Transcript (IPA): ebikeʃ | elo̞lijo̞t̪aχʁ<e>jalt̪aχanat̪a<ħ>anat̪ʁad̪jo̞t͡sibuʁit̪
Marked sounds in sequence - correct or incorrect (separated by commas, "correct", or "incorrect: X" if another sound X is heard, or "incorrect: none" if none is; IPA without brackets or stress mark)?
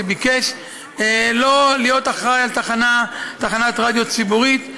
incorrect: a, incorrect: χ